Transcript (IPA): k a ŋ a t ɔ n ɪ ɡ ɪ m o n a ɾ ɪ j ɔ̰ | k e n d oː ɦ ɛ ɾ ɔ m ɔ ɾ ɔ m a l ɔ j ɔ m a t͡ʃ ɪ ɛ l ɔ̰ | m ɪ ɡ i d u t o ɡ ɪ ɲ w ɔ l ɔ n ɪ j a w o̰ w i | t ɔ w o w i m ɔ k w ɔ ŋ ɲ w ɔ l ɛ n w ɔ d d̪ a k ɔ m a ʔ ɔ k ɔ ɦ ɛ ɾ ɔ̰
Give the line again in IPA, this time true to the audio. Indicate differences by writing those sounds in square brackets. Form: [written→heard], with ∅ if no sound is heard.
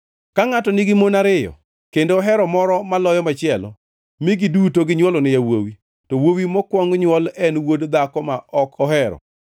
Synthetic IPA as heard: k a ŋ a t ɔ n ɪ ɡ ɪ m o n a ɾ ɪ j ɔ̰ | k e n d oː ɦ ɛ ɾ ɔ m ɔ ɾ ɔ m a l ɔ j ɔ m a t͡ʃ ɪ ɛ l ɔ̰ | m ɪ ɡ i d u t o ɡ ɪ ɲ w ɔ l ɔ n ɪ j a w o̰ w i | t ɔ w o w i m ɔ k w ɔ ŋ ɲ w ɔ l ɛ n w [ɔ→o] d d̪ a k ɔ m a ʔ ɔ k ɔ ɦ ɛ ɾ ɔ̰